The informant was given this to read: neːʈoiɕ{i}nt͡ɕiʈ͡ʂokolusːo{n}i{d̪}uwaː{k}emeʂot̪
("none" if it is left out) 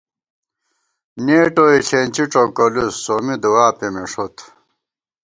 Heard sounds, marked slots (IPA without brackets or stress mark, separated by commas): e, m, d̪, p